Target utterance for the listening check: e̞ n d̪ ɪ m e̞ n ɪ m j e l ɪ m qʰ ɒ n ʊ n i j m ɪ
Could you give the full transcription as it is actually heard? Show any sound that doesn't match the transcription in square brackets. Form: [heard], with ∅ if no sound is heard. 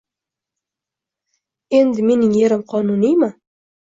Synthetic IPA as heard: e̞ n d̪ ɪ m e̞ n ɪ [ŋ] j e [ɾ] ɪ m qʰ ɒ n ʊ n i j m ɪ